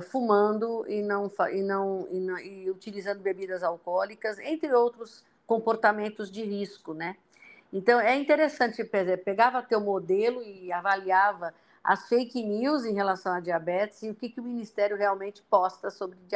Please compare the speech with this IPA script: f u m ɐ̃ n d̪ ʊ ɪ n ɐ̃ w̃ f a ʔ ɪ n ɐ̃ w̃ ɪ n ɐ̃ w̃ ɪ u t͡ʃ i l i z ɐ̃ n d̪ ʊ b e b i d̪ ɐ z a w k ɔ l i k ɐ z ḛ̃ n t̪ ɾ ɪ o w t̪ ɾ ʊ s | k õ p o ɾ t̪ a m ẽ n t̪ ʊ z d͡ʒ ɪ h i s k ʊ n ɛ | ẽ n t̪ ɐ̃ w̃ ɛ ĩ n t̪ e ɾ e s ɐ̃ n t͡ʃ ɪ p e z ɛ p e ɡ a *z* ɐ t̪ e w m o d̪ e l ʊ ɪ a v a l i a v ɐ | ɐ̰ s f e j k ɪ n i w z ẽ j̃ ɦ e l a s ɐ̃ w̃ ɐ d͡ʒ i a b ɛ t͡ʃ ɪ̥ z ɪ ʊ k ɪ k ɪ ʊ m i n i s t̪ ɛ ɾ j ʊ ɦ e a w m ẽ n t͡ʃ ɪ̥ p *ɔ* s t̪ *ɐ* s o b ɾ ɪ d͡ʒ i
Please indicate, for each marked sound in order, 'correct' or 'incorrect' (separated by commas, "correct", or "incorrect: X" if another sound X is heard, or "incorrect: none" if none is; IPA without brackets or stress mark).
incorrect: v, correct, correct